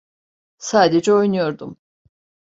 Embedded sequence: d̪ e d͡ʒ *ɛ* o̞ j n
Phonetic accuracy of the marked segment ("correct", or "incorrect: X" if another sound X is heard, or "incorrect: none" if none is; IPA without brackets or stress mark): correct